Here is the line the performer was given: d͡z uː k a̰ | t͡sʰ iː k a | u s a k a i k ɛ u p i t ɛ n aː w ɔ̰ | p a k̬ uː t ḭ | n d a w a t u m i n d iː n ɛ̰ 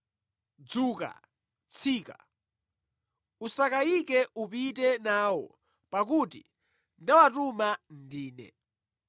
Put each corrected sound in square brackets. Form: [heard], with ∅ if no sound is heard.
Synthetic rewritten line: d͡z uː k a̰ | t͡sʰ iː k a | u s a k a i k ɛ u p i t ɛ n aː w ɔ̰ | p a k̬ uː t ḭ | n d a w a t u m [a] n d iː n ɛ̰